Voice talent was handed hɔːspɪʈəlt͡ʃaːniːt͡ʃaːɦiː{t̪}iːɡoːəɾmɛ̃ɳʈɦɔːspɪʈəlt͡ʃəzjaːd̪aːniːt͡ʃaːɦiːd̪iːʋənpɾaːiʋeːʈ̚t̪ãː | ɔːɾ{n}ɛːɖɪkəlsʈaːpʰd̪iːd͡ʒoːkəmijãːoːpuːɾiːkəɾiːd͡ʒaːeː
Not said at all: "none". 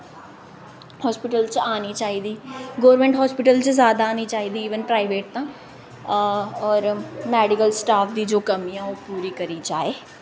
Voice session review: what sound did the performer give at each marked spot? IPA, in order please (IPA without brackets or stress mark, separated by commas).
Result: d̪, m